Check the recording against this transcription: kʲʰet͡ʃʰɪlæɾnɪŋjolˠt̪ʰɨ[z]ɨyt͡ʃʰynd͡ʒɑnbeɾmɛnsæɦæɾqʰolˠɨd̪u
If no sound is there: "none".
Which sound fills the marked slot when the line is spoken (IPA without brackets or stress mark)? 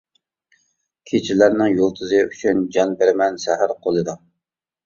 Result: z